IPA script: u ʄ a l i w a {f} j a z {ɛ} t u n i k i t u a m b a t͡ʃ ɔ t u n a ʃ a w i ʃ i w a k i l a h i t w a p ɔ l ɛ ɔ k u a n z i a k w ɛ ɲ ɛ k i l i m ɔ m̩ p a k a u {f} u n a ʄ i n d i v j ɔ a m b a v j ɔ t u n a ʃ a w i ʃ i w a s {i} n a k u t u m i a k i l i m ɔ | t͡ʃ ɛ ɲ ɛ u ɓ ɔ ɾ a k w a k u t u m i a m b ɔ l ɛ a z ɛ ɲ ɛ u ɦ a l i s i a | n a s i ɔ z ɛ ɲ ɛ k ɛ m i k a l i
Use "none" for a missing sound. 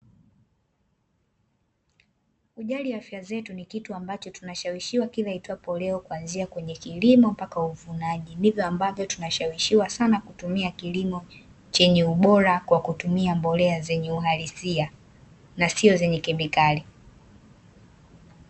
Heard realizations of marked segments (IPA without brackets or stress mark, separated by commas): f, ɛ, v, a